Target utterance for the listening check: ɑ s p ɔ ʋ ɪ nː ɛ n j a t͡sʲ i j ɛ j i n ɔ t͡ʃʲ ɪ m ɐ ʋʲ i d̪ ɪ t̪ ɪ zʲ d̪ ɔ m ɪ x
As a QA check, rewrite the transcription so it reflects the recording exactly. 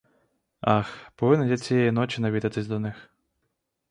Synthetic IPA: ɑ x p ɔ ʋ ɪ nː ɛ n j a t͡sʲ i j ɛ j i n ɔ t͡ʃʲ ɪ n ɐ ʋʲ i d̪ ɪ t̪ ɪ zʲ d̪ ɔ n ɪ x

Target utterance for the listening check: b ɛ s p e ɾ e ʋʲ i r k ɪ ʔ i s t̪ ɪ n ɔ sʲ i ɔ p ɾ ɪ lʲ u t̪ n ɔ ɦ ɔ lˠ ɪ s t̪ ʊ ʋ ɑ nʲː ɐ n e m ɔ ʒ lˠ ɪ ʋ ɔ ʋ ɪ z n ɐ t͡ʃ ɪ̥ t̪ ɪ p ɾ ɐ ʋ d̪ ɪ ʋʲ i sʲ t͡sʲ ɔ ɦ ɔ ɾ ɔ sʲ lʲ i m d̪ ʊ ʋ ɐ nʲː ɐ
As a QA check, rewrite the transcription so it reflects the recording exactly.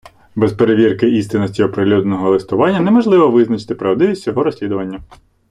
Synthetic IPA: b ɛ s p e ɾ e ʋʲ i r k ɪ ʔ i s t̪ ɪ n ɔ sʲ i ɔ p ɾ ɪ lʲ u d̪ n ɔ ɦ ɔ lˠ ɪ s t̪ ʊ ʋ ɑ nʲː ɐ n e m ɔ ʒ lˠ ɪ ʋ ɔ ʋ ɪ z n ɐ t͡ʃ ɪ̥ t̪ ɪ p ɾ ɐ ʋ d̪ ɪ ʋʲ i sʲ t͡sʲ ɔ ɦ ɔ ɾ ɔ sʲ lʲ i d̪ ʊ ʋ ɐ nʲː ɐ

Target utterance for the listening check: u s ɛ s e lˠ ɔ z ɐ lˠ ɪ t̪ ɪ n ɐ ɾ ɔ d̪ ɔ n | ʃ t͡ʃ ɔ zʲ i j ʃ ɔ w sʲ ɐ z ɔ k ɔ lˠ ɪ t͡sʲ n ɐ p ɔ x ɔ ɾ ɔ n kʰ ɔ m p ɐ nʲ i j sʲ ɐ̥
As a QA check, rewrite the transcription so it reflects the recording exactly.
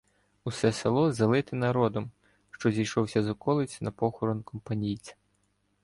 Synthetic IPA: u s ɛ s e lˠ ɔ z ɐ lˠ ɪ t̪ ɪ n ɐ ɾ ɔ d̪ ɔ m | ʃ t͡ʃ ɔ zʲ i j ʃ ɔ w sʲ ɐ z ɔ k ɔ lˠ ɪ t͡sʲ n ɐ p ɔ x ɔ ɾ ɔ n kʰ ɔ m p ɐ nʲ i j t͡sʲ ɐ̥

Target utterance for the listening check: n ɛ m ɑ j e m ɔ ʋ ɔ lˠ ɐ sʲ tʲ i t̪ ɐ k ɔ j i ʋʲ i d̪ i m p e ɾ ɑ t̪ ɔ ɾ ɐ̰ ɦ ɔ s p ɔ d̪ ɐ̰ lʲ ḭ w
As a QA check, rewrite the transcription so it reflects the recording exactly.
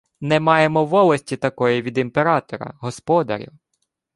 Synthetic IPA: n ɛ m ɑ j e m ɔ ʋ ɔ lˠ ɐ sʲ tʲ i t̪ ɐ k ɔ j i ʋʲ i d̪ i m p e ɾ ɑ t̪ ɔ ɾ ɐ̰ ɦ ɔ s p ɔ d̪ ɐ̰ ɾʲ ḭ w

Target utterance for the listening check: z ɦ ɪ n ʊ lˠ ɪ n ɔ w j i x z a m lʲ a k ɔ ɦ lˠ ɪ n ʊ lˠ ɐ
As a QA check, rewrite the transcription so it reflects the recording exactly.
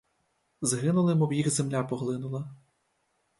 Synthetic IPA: z ɦ ɪ n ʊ lˠ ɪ m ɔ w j i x z e m lʲ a p ɔ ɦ lˠ ɪ n ʊ lˠ ɐ

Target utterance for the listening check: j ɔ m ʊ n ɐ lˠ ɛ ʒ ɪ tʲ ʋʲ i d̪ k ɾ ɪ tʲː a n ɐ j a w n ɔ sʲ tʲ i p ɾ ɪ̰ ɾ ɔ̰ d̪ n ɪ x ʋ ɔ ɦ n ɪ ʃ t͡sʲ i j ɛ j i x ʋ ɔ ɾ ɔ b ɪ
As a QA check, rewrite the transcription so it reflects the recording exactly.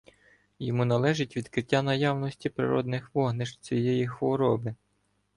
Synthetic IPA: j ɔ m u n ɐ lˠ ɛ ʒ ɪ tʲ ʋʲ i d̪ k ɾ ɪ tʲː a n ɐ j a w n ɔ sʲ tʲ i p ɾ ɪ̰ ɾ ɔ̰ d̪ n ɪ x ʋ ɔ ɦ n ɪ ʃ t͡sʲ i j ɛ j i x ʋ ɔ ɾ ɔ b ɪ

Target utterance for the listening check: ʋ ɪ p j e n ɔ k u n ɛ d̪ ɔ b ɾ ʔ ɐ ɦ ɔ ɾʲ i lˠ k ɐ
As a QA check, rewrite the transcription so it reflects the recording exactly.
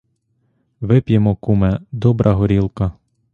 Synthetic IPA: ʋ ɪ p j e m ɔ k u m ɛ d̪ ɔ b ɾ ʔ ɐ ɦ ɔ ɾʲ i lˠ k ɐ

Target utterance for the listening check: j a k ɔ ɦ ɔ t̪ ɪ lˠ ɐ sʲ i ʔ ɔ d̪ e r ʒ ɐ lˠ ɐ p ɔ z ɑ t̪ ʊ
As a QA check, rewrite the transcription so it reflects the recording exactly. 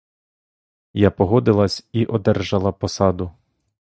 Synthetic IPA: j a p ɔ ɦ ɔ d̪ ɪ lˠ ɐ sʲ i ʔ ɔ d̪ ɛ r ʒ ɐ lˠ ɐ p ɔ s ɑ d̪ ʊ

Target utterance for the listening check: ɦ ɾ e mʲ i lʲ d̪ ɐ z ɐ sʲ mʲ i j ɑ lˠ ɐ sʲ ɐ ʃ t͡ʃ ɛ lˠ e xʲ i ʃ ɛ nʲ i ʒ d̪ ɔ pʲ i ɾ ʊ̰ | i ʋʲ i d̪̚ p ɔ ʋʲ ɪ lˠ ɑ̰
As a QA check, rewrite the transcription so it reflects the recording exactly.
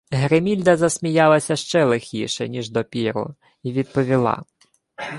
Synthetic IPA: ɦ ɾ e mʲ i lʲ d̪ ɐ z ɐ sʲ mʲ i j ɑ lˠ ɐ sʲ ɐ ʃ t͡ʃ ɛ lˠ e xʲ i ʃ ɛ nʲ i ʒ d̪ ɔ pʲ i ɾ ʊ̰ | i ʋʲ i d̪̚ p ɔ ʋʲ i lˠ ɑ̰

